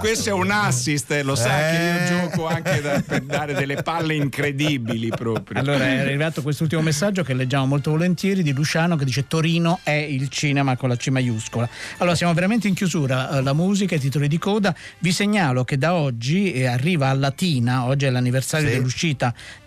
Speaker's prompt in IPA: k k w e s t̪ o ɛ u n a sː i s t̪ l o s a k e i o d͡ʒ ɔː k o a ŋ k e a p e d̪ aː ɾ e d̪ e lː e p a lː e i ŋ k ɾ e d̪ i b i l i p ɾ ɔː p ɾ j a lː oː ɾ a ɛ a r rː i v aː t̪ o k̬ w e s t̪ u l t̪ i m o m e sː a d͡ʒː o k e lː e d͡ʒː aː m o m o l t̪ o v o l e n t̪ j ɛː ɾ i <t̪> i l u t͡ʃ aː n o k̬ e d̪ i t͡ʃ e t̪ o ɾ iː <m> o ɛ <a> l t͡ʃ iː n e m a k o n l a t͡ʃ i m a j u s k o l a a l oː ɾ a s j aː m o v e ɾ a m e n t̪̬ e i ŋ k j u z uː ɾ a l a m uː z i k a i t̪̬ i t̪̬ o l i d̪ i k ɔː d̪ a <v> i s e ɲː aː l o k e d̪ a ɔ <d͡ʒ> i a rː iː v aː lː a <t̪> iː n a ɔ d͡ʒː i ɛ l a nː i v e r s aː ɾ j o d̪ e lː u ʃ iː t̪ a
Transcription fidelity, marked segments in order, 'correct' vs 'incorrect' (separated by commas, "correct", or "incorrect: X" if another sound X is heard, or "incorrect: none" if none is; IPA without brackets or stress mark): incorrect: d̪, incorrect: n, incorrect: i, correct, incorrect: d͡ʒː, correct